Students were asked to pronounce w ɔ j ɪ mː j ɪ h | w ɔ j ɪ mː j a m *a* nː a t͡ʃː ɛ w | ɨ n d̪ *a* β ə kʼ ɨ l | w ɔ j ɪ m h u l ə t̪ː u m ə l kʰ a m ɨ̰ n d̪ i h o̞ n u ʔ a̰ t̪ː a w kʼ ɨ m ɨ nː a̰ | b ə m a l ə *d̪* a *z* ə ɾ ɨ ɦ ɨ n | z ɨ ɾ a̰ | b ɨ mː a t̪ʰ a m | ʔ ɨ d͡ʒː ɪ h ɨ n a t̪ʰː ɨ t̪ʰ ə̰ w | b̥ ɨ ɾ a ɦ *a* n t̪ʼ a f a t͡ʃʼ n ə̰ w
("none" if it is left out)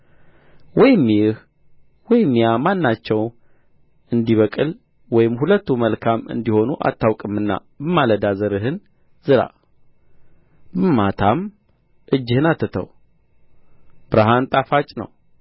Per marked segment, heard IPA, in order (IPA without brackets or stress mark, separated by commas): a, i, d̪, z, a